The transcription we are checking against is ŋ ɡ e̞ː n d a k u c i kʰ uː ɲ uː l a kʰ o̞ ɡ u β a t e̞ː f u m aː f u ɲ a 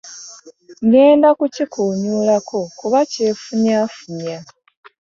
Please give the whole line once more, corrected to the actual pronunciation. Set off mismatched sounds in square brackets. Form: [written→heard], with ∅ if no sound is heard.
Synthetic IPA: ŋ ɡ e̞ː n d a k u c i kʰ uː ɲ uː l a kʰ o̞ [ɡ→k] u β a [t→c] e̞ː f u [m→ɲ] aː f u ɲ a